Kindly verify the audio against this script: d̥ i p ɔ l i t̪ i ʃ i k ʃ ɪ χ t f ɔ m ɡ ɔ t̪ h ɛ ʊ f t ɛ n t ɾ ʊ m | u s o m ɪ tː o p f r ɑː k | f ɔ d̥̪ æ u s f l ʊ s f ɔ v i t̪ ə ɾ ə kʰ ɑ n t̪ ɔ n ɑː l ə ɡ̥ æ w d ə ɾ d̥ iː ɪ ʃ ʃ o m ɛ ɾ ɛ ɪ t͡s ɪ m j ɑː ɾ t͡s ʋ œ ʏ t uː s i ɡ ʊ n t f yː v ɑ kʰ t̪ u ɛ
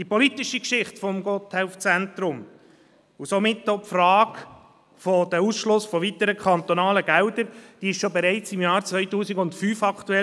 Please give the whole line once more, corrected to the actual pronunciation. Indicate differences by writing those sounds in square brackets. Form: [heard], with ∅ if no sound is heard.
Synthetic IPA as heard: d̥ i p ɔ l i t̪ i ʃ i k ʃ ɪ χ t f ɔ m ɡ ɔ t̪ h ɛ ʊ f [t͡s] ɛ n t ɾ ʊ m | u s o m ɪ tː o p f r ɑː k | f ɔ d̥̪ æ u s [ʃ] l ʊ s f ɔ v i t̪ ə ɾ ə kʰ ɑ n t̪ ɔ n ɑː l ə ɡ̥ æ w d ə ɾ d̥ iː ɪ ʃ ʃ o [b] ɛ ɾ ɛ ɪ t͡s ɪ m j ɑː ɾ t͡s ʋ œ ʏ t uː s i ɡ ʊ n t f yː [f] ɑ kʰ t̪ u ɛ